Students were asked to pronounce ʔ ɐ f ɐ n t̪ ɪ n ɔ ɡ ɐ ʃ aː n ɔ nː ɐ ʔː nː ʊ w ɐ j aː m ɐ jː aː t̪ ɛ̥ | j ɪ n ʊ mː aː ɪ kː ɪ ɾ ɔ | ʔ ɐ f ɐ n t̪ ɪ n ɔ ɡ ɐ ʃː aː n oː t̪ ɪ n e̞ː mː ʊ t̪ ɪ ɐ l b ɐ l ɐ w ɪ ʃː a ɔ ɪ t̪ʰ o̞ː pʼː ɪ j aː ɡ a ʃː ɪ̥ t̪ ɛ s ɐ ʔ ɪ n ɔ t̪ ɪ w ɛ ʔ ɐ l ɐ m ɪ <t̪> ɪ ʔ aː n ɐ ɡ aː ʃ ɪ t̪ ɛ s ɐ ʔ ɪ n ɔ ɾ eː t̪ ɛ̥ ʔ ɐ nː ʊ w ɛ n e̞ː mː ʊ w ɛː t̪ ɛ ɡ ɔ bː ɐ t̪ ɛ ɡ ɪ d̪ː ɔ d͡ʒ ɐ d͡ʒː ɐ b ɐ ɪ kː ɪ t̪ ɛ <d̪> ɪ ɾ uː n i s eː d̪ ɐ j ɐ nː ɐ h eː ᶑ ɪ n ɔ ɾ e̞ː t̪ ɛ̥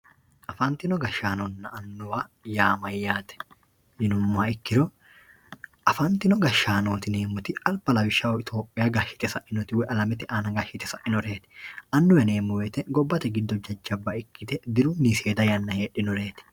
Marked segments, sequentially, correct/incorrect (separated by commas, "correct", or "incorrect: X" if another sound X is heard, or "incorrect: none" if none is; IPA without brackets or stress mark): correct, correct